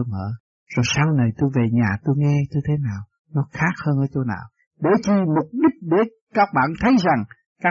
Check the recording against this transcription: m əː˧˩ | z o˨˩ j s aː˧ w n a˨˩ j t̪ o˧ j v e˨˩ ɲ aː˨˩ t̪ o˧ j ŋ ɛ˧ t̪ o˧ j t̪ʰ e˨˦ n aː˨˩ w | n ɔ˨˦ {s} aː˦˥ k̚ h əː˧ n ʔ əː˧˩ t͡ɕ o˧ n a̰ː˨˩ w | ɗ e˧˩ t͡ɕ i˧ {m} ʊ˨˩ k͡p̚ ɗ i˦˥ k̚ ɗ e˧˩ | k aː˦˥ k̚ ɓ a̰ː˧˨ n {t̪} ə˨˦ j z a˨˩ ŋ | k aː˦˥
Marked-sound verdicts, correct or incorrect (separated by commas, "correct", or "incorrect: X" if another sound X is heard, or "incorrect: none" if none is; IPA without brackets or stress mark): incorrect: x, correct, incorrect: t̪ʰ